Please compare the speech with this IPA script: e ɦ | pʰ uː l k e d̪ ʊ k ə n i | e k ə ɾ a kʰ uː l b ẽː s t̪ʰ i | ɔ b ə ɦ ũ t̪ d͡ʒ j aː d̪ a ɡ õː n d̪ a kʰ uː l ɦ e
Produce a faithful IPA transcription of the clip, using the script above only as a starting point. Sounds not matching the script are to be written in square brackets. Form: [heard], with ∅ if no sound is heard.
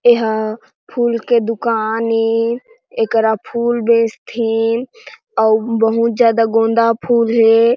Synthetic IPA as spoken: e ɦ | pʰ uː l k e d̪ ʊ k [a] n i | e k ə ɾ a [pʰ] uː l b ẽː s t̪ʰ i | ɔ b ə ɦ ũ t̪ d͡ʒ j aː d̪ a ɡ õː n d̪ a [pʰ] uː l ɦ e